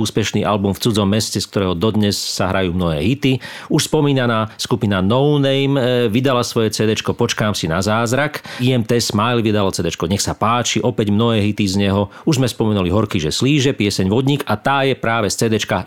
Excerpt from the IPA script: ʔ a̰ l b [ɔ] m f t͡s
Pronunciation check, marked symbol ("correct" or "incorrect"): incorrect